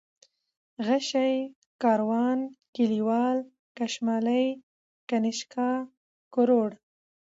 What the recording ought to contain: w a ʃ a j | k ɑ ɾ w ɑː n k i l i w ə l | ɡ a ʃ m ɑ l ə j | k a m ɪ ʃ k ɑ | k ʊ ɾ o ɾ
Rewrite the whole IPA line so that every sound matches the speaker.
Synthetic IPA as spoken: ɣ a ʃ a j | k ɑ ɾ w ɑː n k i l i w ɑ l | k a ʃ m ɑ l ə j | k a n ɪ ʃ k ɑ | k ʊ ɾ o ɽ